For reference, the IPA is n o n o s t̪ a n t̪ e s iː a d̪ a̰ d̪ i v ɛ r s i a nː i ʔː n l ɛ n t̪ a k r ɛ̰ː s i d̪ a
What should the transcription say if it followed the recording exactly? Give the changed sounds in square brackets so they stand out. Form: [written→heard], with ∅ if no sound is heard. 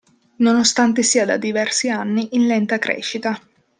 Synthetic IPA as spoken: n o n o s t̪ a n t̪ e s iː a d̪ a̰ d̪ i v ɛ r s i a nː i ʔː n l ɛ n t̪ a k [r→ɾ] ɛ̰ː [s→ʃ] i [d̪→t̪] a